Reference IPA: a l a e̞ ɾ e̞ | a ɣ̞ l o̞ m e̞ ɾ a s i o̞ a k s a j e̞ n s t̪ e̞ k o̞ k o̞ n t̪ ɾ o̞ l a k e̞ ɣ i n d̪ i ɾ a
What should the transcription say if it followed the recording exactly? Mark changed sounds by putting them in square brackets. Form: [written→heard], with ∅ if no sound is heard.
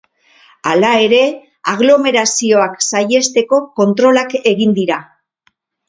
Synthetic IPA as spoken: a l a e̞ ɾ e̞ | a ɣ̞ l o̞ m e̞ ɾ a s i o̞ a k s a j e̞ [n→∅] s t̪ e̞ k o̞ k o̞ n t̪ ɾ o̞ l a k e̞ ɣ i n d̪ i ɾ a

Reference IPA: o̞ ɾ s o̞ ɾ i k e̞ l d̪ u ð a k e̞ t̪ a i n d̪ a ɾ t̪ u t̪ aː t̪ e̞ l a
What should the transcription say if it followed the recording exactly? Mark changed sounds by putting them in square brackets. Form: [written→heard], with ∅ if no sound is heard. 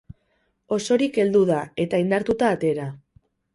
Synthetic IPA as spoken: o̞ [ɾ→∅] s o̞ ɾ i k e̞ l d̪ u ð a [k→∅] e̞ t̪ a i n d̪ a ɾ t̪ u t̪ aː t̪ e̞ [l→ɾ] a

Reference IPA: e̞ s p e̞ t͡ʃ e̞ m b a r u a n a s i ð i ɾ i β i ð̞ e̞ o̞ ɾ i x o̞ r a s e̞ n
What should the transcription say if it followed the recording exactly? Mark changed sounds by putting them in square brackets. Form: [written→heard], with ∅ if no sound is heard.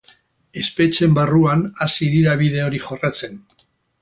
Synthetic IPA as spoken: e̞ s p e̞ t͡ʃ e̞ m b a r u a n a s i ð i ɾ [i→a] β i ð̞ e̞ o̞ ɾ i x o̞ r a [s→t͡s] e̞ n

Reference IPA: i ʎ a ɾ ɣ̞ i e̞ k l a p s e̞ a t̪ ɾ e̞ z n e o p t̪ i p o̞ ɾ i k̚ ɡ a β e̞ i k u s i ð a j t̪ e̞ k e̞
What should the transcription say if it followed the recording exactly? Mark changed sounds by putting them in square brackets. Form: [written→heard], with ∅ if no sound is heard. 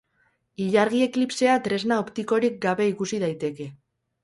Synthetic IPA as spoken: i ʎ a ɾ ɣ̞ i e̞ k l [a→i] p s e̞ a t̪ ɾ e̞ z n [e→a] o p t̪ i [p→k] o̞ ɾ i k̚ ɡ a β e̞ i k u s i ð a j t̪ e̞ k e̞

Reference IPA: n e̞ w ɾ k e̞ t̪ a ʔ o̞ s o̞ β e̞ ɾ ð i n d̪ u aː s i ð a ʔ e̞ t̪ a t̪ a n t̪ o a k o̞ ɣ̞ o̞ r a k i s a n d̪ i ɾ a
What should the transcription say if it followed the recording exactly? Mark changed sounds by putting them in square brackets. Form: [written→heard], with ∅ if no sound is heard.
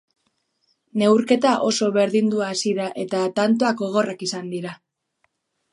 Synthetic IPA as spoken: n e̞ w ɾ k e̞ t̪ a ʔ o̞ s o̞ β e̞ ɾ ð i n d̪ u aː s i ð a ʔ e̞ t̪ a t̪ a n t̪ o a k o̞ ɣ̞ o̞ r a k i s a n d̪ i ɾ a

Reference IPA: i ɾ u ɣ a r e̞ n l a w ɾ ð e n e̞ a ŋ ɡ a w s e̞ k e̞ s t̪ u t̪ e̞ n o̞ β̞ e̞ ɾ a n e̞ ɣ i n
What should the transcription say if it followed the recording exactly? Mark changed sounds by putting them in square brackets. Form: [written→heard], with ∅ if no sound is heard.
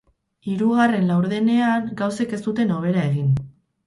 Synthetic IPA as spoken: i ɾ u ɣ a r e̞ n l a w ɾ ð e n e̞ a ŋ ɡ a w s e̞ k e̞ s t̪ u t̪ e̞ n o̞ β̞ e̞ ɾ a [n→∅] e̞ ɣ i n

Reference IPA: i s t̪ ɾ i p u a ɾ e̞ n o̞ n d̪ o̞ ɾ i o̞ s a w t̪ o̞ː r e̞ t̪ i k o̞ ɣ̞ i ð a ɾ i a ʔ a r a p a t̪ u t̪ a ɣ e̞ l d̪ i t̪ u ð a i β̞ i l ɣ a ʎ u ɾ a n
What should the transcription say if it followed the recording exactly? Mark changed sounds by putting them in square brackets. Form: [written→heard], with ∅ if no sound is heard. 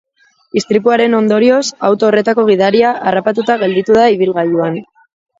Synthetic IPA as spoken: i s t̪ ɾ i p u a ɾ e̞ n o̞ n d̪ o̞ ɾ i o̞ s a w t̪ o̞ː r e̞ t̪ [i→a] k o̞ ɣ̞ i ð a ɾ i a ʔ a r a p a t̪ u t̪ a ɣ e̞ l d̪ i t̪ u ð a i β̞ i l ɣ a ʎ u [ɾ→∅] a n

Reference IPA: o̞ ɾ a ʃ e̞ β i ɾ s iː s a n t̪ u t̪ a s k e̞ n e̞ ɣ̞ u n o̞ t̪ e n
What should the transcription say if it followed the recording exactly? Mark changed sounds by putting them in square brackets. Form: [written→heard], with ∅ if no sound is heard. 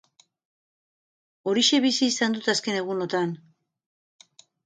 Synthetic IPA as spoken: o̞ ɾ [a→i] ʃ e̞ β i [ɾ→∅] s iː s a n [t̪→d̪] u t̪ a s k e̞ n e̞ ɣ̞ u n o̞ t̪ [e→a] n

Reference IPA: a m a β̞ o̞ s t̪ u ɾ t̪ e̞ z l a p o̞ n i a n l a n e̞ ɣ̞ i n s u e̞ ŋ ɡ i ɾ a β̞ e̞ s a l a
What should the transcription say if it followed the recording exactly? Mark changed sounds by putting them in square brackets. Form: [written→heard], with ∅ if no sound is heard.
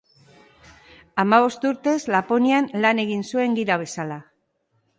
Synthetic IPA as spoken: a m a β̞ o̞ s t̪ u ɾ t̪ e̞ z l a p o̞ n i a n l a n e̞ ɣ̞ i n s u e̞ ŋ ɡ i ɾ a β̞ e̞ s a l a

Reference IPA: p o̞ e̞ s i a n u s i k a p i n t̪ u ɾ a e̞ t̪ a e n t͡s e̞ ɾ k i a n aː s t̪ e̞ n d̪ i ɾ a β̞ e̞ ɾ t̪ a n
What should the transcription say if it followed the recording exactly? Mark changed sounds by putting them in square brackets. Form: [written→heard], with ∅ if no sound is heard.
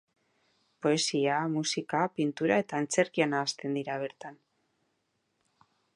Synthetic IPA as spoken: p o̞ e̞ s i a [n→m] u s i k a p i n t̪ u ɾ a e̞ t̪ a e n t͡s e̞ ɾ k i a n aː s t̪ e̞ n d̪ i ɾ a β̞ e̞ ɾ t̪ a n

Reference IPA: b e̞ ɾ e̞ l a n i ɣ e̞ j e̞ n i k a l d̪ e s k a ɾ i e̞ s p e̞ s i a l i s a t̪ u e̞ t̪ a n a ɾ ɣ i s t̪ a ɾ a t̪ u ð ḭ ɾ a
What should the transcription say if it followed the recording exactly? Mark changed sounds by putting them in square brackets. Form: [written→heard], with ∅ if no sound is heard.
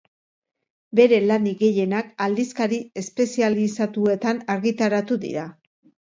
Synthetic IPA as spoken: b e̞ ɾ e̞ l a n i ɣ e̞ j e̞ n [i→a] k a l d̪ [e→i] s k a ɾ i e̞ s p e̞ s i a l i s a t̪ u e̞ t̪ a n a ɾ ɣ i [s→∅] t̪ a ɾ a t̪ u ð ḭ ɾ a

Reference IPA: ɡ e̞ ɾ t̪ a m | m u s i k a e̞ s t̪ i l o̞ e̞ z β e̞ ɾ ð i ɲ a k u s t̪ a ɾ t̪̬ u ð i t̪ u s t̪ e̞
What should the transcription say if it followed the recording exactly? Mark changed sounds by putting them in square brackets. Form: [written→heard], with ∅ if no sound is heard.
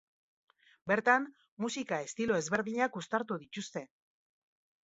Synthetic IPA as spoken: [ɡ→b] e̞ ɾ t̪ a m | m u s i k a e̞ s t̪ i l o̞ e̞ z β e̞ ɾ ð i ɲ a k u s t̪ a ɾ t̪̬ u ð i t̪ u s t̪ e̞

